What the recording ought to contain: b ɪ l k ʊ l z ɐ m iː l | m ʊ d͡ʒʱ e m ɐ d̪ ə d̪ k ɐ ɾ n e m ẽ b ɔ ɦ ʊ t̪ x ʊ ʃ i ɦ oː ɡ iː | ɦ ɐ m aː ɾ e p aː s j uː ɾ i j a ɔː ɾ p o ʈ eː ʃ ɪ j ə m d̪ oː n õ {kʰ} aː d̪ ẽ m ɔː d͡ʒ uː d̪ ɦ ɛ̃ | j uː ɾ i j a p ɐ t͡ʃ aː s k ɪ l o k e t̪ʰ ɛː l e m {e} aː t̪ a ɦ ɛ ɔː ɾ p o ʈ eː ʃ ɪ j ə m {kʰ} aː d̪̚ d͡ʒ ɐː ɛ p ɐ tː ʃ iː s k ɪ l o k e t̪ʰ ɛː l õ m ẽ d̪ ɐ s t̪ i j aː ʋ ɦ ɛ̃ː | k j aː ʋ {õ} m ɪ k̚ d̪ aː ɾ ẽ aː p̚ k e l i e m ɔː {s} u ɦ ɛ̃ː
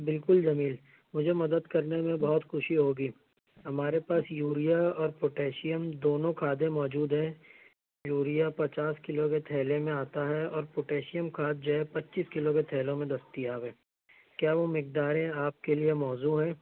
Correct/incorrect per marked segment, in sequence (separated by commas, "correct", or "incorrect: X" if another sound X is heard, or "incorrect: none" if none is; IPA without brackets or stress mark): correct, incorrect: ẽ, correct, incorrect: o, incorrect: z